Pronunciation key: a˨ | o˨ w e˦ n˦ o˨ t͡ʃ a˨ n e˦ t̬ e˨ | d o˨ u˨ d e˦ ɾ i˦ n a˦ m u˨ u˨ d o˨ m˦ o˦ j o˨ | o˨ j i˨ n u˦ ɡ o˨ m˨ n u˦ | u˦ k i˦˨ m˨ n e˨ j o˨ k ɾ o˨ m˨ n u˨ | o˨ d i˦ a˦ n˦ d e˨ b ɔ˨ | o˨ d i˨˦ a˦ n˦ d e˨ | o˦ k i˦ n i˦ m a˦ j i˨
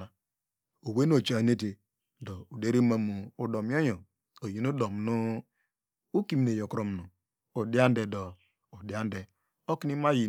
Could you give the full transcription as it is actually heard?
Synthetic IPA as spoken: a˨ | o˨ w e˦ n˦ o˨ t͡ʃ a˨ n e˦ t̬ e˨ | d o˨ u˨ d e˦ ɾ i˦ m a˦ m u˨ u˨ d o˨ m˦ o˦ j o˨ | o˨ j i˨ n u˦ d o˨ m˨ n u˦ | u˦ k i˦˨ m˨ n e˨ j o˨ k ɾ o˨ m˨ n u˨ | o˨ d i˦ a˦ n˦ d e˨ d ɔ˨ | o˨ d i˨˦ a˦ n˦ d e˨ | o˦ k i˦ n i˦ m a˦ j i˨